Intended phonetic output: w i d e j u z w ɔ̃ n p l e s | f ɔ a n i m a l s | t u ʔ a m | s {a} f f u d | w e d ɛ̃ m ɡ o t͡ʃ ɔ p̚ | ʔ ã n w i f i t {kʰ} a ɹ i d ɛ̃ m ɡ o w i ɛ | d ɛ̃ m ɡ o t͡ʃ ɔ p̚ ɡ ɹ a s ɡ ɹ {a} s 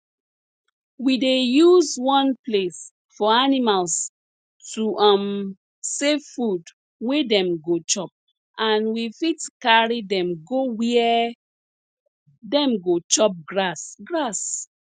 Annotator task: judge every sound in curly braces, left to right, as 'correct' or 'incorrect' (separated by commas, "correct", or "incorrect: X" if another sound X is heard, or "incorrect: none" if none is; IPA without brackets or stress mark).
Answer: incorrect: e, incorrect: k, correct